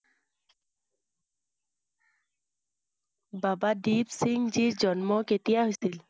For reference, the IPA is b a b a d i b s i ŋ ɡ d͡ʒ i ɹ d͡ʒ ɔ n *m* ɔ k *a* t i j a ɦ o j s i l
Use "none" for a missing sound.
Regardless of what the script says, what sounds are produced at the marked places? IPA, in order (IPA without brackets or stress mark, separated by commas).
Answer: m, e